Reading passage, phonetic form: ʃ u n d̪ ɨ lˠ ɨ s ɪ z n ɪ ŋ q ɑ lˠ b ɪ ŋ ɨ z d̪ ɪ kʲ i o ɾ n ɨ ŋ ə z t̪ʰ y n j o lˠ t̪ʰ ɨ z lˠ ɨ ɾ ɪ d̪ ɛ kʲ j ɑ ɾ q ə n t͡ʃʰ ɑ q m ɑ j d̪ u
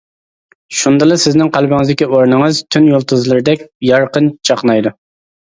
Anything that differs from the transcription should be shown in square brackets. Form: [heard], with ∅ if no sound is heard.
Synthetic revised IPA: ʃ u n d̪ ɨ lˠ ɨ s ɪ z n ɪ ŋ q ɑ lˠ b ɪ ŋ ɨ z d̪ ɪ kʲ i o ɾ n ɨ ŋ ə z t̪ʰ y n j o lˠ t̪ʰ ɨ z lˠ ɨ ɾ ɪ d̪ ɛ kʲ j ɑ ɾ q ə n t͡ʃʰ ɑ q [n] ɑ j d̪ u